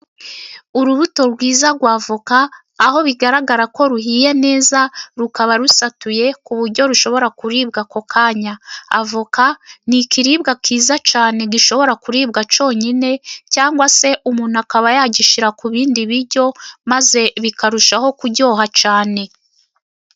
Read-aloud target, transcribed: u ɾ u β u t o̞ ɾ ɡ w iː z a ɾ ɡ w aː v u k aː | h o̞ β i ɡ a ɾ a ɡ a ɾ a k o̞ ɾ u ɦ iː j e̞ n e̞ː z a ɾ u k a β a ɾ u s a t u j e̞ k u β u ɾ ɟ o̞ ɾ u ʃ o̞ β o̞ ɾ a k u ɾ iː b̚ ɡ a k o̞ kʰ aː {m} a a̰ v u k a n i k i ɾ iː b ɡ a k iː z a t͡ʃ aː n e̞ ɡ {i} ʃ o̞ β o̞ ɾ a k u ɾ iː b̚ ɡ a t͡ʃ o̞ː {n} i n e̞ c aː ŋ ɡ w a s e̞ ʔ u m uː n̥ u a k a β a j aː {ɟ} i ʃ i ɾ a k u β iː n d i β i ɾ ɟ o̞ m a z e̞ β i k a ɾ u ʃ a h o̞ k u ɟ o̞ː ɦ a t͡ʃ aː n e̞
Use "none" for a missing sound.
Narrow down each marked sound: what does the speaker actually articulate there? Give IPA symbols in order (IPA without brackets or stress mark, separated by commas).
ɲ, i, ɲ, ɟ